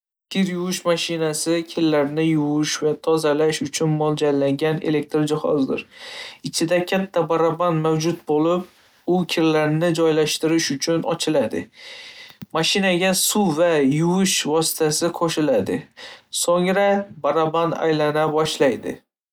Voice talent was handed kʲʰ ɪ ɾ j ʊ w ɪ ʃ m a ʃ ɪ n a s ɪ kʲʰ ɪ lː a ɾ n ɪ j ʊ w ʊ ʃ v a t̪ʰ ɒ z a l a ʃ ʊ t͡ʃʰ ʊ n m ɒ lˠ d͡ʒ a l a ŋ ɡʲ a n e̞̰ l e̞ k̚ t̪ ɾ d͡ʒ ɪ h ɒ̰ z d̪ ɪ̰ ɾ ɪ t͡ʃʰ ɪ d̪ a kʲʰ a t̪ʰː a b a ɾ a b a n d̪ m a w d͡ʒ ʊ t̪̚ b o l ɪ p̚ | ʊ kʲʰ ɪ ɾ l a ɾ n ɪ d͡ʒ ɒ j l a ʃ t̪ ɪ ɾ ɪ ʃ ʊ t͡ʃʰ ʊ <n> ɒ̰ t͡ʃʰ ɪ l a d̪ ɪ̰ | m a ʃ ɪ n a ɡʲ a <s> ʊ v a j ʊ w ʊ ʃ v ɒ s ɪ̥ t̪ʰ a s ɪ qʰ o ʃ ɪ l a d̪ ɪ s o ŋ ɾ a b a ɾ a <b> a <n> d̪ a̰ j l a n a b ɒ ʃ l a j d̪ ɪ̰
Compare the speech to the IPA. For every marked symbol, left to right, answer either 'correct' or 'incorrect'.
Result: correct, correct, correct, correct

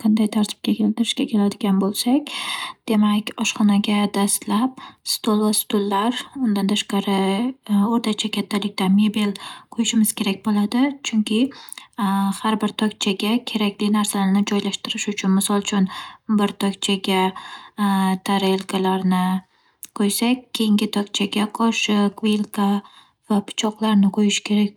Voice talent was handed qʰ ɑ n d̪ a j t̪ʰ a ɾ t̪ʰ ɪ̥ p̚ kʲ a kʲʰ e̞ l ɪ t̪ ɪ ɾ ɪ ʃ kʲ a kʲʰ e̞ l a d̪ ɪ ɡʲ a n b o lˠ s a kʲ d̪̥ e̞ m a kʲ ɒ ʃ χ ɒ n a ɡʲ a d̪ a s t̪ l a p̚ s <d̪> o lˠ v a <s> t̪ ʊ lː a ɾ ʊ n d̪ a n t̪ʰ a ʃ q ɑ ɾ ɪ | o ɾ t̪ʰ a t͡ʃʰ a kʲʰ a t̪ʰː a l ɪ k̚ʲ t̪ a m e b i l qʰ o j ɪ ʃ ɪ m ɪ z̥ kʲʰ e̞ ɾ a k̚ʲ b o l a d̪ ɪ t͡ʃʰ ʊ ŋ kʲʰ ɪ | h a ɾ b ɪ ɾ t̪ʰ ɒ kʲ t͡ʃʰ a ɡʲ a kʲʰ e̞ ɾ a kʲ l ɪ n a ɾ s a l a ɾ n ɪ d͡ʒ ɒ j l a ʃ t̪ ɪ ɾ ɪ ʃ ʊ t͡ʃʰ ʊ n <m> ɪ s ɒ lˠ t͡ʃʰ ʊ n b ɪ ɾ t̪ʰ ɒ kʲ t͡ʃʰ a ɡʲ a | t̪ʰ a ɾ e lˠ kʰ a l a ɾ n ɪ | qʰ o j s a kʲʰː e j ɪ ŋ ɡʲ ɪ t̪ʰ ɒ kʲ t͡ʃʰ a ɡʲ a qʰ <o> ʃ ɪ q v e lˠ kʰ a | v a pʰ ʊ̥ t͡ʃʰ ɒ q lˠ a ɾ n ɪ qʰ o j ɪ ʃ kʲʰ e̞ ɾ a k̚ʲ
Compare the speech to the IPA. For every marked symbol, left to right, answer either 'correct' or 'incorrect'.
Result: incorrect, correct, correct, incorrect

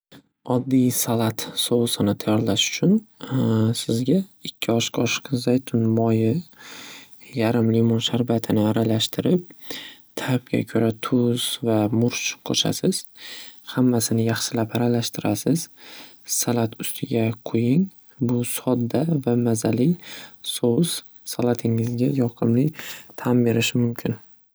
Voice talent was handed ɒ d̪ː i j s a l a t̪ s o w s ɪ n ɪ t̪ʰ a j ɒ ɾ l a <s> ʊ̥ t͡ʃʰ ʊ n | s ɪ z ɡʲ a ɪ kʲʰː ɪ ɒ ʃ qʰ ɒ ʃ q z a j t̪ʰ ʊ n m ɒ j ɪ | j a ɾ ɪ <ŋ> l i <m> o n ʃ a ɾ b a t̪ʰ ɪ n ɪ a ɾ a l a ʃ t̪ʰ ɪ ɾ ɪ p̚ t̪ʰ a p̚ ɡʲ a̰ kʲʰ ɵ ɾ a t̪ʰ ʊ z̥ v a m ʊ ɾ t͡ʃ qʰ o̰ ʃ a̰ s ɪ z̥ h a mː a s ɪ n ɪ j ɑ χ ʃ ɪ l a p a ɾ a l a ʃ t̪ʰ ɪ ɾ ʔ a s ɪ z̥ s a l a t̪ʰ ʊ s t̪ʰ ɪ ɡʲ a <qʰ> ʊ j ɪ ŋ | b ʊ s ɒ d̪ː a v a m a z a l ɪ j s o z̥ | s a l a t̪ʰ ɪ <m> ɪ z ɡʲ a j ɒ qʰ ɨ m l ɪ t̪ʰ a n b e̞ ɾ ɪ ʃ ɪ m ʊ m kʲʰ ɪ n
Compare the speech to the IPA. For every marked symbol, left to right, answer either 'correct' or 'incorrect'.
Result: incorrect, incorrect, correct, correct, incorrect

